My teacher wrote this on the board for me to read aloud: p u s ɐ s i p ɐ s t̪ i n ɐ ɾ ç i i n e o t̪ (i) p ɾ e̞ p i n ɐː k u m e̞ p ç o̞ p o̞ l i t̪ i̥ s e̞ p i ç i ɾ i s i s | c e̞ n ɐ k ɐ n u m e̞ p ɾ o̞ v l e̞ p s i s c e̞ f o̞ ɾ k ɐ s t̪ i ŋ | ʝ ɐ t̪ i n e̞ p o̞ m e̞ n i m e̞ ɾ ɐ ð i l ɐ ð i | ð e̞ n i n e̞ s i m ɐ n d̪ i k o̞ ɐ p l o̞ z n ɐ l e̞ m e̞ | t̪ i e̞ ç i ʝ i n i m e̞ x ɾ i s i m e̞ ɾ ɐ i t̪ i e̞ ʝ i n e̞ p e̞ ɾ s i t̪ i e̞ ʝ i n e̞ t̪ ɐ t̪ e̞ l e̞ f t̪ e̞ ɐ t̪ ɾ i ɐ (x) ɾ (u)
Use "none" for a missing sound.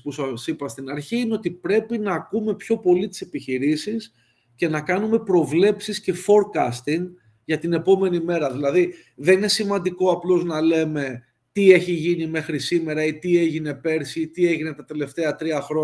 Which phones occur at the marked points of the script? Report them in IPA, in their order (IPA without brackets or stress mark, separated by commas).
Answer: i, x, o